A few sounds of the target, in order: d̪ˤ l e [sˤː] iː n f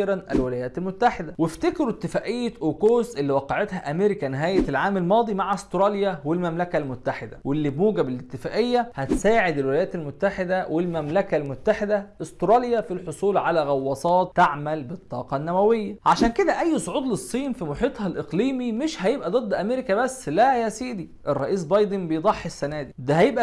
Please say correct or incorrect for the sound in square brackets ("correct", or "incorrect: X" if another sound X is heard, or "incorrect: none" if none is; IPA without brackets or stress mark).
correct